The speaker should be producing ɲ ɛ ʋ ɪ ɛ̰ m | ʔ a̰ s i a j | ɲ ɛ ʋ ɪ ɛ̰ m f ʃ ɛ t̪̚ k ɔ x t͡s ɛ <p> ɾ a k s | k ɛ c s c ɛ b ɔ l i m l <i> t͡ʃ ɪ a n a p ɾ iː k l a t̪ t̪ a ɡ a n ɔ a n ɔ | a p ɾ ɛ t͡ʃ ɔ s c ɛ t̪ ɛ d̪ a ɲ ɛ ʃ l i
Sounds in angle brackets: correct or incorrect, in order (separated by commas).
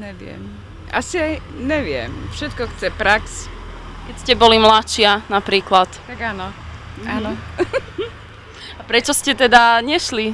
correct, incorrect